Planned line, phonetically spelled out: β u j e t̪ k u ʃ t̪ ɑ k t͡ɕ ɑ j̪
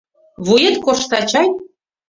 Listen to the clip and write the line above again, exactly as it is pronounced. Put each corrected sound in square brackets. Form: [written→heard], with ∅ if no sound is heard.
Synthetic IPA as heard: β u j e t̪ k [u→o] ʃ t̪ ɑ [k→∅] t͡ɕ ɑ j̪